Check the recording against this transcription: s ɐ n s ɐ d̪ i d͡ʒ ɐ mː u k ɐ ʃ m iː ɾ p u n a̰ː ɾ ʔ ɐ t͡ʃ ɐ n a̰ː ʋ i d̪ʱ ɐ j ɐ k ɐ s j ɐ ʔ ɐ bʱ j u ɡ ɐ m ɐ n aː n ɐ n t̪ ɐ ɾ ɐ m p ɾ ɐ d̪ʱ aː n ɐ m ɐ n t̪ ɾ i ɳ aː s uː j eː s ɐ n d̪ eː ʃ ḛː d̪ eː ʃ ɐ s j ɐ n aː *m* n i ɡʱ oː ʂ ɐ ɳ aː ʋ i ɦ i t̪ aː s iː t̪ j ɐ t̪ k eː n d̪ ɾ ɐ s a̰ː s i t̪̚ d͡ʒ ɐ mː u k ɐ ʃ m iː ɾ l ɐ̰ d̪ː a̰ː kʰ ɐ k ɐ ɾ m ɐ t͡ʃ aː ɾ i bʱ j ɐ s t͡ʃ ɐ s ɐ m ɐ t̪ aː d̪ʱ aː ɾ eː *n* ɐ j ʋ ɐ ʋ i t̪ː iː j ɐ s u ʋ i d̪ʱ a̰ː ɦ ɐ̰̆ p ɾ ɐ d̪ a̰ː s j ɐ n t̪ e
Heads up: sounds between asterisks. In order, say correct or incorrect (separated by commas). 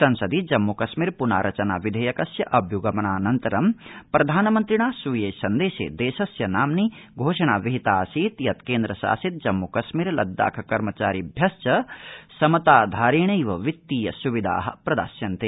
correct, incorrect